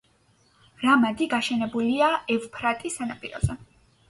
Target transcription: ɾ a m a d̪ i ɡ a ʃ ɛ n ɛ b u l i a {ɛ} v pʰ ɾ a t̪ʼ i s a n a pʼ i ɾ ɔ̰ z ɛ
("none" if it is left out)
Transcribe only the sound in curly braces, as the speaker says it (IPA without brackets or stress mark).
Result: ɛ